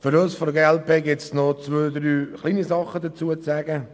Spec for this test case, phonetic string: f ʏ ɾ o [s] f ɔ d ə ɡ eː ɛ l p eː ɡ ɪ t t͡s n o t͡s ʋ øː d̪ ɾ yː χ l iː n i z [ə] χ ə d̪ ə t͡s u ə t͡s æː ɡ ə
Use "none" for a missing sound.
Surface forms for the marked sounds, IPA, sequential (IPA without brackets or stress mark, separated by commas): s, ɑ